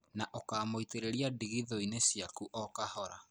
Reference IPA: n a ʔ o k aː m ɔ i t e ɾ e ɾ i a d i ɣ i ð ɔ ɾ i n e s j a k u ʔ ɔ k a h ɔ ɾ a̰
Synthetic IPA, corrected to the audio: n a ʔ o k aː m o i t e ɾ e ɾ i a d i ɣ i ð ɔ i n e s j a k u ʔ ɔ k a h ɔ ɾ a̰